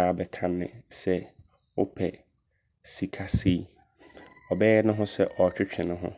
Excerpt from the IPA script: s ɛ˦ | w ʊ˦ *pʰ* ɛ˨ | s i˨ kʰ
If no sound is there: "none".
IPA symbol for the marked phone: pʰ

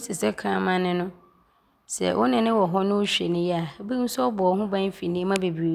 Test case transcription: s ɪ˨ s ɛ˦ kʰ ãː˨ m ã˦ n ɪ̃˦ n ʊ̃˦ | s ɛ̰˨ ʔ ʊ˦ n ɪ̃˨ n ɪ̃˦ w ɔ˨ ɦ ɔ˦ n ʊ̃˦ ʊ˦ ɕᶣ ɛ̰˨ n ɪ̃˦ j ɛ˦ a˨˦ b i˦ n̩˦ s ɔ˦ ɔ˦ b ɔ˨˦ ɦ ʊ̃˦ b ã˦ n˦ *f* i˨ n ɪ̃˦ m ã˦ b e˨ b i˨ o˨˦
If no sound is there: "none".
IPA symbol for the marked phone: f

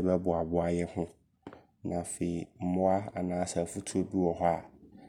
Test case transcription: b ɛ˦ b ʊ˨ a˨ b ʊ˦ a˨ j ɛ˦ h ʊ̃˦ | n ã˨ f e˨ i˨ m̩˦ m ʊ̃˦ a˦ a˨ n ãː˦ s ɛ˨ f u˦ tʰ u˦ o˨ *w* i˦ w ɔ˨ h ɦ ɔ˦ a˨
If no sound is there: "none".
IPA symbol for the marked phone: b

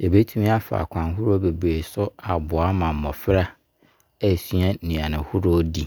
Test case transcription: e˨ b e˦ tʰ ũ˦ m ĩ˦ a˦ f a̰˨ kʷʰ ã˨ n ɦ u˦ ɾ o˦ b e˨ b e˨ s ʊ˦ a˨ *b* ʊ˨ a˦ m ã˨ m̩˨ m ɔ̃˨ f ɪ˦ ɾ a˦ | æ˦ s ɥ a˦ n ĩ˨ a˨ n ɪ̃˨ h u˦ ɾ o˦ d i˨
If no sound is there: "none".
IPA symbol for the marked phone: b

